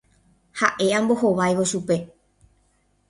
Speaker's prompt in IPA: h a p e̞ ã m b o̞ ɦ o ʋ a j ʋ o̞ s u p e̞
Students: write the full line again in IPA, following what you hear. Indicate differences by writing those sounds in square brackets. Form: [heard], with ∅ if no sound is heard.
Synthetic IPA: h a [ʔ] e̞ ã m b o̞ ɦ o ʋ a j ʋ o̞ [ʃ] u p e̞